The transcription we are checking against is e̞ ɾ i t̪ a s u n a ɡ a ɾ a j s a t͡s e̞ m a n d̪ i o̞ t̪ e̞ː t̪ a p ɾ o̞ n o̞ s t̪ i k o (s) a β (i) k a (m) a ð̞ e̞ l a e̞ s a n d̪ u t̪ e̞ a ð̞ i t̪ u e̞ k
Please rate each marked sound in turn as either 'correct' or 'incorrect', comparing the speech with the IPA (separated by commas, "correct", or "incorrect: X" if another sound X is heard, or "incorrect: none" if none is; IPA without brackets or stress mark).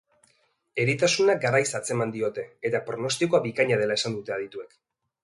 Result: incorrect: none, correct, incorrect: ɲ